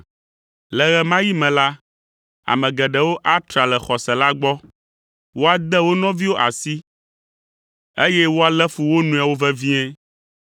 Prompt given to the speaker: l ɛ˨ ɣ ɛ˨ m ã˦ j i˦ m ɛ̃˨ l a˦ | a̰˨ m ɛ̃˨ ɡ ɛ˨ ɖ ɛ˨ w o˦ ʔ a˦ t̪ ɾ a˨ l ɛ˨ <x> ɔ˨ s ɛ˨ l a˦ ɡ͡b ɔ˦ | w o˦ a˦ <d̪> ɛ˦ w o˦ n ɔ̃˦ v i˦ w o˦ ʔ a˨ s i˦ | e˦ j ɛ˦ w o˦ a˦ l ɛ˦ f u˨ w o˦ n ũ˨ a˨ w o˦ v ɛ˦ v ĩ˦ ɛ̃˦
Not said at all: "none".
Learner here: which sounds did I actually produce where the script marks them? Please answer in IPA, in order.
x, d̪

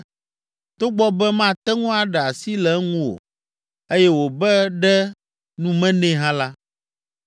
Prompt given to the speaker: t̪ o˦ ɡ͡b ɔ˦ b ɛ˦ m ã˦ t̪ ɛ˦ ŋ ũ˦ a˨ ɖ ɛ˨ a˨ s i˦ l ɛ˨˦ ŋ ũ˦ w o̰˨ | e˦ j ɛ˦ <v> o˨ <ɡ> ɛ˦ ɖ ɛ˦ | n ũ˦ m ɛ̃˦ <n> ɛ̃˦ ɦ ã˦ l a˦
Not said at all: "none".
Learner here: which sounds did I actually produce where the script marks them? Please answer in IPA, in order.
w, b, n

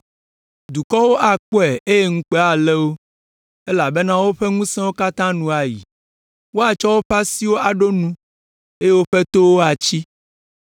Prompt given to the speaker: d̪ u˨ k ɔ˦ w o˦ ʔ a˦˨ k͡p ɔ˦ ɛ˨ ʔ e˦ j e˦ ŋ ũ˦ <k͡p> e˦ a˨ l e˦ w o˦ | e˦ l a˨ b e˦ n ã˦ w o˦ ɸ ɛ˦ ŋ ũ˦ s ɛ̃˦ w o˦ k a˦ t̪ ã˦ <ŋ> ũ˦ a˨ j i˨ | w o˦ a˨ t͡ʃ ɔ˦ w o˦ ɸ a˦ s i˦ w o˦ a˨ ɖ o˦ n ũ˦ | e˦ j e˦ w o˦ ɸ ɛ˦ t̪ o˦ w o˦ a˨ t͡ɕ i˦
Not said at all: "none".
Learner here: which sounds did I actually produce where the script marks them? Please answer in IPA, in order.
k͡p, n

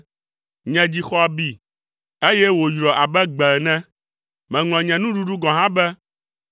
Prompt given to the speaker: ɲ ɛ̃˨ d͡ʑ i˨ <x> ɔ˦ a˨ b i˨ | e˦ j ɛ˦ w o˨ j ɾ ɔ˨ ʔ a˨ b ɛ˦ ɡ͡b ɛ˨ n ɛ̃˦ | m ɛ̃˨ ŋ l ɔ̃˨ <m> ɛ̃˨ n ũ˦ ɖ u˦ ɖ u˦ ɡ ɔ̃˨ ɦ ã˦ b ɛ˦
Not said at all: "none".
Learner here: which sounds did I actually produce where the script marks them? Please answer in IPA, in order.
x, ɲ

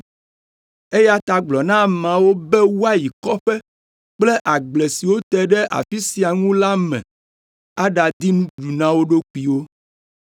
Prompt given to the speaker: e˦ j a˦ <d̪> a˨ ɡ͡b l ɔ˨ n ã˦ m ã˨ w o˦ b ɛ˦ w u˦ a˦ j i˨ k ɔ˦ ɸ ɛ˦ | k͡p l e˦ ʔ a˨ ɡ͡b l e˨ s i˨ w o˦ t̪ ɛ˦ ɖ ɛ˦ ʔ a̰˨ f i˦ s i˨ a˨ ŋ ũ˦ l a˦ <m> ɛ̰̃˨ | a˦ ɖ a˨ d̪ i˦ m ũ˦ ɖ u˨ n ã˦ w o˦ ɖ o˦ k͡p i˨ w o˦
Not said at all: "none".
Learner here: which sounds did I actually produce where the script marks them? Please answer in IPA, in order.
t̪, m

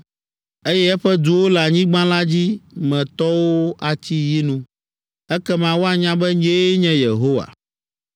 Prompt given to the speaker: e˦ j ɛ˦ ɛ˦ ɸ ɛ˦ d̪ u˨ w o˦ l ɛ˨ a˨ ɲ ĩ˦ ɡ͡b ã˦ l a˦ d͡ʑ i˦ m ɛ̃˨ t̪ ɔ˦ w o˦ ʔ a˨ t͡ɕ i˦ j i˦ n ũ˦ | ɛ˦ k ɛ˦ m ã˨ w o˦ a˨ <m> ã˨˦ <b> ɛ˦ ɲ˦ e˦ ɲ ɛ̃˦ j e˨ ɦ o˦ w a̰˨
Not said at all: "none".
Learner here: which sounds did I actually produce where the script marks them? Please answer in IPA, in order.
ɲ, b

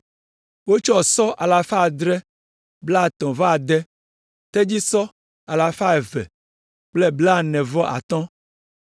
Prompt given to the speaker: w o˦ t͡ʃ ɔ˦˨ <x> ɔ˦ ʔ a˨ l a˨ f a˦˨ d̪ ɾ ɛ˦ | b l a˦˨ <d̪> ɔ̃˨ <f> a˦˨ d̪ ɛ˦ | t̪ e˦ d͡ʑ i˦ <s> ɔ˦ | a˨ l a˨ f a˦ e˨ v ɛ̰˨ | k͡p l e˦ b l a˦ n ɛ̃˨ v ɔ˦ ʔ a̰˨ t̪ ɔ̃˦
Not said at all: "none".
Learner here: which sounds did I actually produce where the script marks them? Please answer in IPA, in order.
s, t̪, v, s

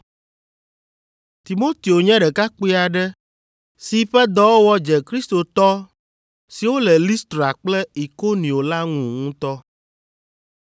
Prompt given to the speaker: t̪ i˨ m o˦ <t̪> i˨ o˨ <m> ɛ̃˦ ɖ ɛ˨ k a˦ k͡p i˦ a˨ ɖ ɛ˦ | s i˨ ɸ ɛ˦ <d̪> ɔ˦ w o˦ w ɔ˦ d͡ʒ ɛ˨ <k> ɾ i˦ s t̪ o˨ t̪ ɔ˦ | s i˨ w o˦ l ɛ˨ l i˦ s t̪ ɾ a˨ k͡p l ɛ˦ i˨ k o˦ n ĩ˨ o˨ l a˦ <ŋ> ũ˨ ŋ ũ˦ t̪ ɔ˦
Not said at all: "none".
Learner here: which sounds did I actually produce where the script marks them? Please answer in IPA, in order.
t̪, ɲ, d̪, k, ŋ

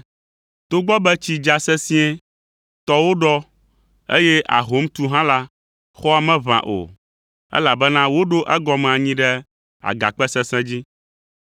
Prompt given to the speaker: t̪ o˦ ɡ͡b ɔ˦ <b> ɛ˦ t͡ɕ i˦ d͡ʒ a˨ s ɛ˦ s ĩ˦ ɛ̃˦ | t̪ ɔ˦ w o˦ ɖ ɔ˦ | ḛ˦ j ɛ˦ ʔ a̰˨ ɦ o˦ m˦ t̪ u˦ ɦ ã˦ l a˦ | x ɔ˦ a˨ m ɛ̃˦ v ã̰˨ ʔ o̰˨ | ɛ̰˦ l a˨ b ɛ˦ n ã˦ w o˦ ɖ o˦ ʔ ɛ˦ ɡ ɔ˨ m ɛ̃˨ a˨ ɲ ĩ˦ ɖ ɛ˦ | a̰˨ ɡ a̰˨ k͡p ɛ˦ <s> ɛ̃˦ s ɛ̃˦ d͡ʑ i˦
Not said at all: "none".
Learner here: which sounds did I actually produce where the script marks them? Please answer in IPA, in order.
b, s

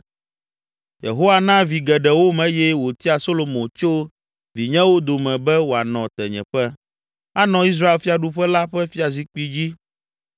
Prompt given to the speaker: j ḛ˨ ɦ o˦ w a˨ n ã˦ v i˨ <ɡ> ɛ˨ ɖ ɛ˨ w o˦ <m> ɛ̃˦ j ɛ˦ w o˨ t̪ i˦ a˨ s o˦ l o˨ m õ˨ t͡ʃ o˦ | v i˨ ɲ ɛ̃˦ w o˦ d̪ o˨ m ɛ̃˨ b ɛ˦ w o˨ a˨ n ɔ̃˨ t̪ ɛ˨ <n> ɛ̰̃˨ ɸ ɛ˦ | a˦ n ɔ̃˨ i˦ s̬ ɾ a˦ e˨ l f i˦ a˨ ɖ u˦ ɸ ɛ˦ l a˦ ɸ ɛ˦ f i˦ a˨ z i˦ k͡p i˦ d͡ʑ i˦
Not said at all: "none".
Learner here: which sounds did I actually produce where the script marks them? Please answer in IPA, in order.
ɡ, m, ɲ

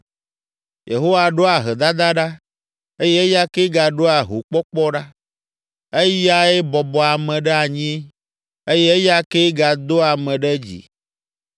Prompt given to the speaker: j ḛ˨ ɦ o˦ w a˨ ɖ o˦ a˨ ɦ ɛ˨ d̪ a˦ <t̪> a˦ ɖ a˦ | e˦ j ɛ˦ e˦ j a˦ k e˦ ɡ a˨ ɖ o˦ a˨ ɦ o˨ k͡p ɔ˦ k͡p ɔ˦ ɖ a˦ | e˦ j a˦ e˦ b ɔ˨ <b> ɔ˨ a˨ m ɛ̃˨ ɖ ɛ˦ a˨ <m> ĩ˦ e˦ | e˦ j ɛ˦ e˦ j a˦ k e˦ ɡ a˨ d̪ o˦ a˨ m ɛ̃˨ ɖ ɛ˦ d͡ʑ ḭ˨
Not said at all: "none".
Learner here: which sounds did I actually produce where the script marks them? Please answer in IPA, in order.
d̪, b, ɲ

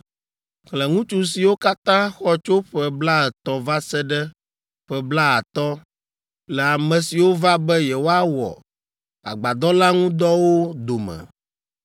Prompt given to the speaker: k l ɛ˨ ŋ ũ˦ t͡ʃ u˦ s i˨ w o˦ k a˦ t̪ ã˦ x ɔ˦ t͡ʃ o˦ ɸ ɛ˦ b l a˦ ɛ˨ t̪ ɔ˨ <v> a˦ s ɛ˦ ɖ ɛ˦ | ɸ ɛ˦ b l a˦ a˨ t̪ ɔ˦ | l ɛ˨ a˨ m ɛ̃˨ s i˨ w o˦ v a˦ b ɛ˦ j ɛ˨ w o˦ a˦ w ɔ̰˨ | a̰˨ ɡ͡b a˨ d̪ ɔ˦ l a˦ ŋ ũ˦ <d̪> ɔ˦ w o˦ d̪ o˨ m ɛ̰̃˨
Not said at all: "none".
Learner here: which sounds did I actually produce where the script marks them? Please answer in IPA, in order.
v, d̪

